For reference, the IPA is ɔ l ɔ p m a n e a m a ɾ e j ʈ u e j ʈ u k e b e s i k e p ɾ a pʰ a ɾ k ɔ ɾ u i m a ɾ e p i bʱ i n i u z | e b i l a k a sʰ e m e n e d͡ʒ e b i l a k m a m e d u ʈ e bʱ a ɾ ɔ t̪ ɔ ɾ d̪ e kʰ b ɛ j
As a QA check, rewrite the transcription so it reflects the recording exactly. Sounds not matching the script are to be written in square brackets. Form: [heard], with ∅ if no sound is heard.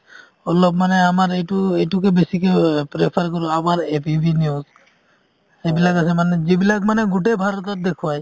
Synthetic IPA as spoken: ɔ l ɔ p m a n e a m a ɾ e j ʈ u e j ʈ u k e b e s i k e p ɾ [e] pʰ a ɾ k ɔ ɾ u [a] m a ɾ e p i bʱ i n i u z | e b i l a k a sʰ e m [a] n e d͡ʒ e b i l a k m a [n] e [ɡ] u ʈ e bʱ a ɾ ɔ t̪ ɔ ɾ d̪ e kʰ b [a] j